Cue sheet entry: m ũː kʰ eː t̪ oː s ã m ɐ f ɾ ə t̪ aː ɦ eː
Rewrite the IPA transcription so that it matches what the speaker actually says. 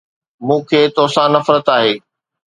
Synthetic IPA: m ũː kʰ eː t̪ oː s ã n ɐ f ɾ ə t̪ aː ɦ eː